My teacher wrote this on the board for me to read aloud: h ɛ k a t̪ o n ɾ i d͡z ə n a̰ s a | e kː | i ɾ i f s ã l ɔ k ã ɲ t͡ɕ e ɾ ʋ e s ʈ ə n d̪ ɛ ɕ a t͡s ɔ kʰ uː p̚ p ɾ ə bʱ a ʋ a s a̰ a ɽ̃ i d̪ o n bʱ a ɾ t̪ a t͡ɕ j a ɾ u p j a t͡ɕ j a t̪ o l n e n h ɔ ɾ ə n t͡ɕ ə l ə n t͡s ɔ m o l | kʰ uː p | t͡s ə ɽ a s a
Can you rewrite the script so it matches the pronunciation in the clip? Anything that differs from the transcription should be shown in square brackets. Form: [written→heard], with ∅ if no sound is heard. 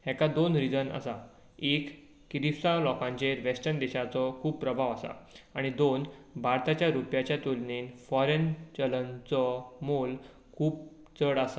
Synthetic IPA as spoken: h ɛ k a [t̪→d̪] o n ɾ i d͡z ə n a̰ s a | e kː | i ɾ i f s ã l ɔ k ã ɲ t͡ɕ e ɾ ʋ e s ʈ ə n d̪ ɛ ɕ a t͡s ɔ kʰ uː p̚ p ɾ ə bʱ a ʋ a s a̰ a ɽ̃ i d̪ o n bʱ a ɾ t̪ a t͡ɕ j a ɾ u p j a t͡ɕ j a t̪ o l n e n [h→f] ɔ ɾ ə n t͡ɕ ə l ə n t͡s ɔ m o l | kʰ uː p | t͡s ə ɽ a s a